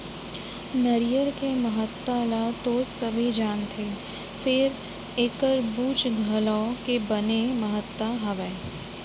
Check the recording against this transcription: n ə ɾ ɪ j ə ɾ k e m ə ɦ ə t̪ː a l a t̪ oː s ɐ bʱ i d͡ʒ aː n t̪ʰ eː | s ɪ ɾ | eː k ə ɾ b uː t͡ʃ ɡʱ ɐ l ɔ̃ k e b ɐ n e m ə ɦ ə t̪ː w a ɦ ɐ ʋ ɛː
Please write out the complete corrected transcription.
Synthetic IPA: n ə ɾ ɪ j ə ɾ k e m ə ɦ ə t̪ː a l a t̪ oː s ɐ bʱ i d͡ʒ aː n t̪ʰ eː | f ɪ ɾ | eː k ə ɾ b uː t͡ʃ ɡʱ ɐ l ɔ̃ k e b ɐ n e m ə ɦ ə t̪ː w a ɦ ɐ ʋ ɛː